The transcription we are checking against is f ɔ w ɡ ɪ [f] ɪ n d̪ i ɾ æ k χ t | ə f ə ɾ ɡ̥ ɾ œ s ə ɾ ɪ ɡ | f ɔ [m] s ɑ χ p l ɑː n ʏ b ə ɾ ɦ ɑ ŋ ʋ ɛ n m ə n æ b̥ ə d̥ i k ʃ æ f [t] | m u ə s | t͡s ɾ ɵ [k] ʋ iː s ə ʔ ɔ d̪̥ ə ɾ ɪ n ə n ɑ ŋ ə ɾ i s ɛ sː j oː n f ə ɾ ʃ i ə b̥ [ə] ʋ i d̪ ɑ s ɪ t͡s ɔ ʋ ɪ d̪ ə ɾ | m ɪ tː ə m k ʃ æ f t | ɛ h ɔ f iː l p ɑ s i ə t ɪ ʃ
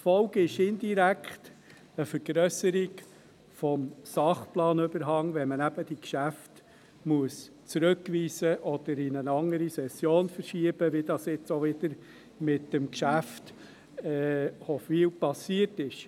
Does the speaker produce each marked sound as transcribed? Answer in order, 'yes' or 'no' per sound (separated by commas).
no, yes, yes, yes, yes